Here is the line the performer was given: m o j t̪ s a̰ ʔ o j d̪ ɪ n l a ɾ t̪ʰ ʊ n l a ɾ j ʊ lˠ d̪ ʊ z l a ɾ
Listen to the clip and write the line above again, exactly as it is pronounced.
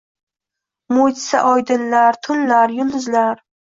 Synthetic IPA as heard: m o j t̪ s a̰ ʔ ɒ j d̪ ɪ n l a ɾ t̪ʰ ʊ n l a ɾ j ʊ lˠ d̪ ʊ z l a ɾ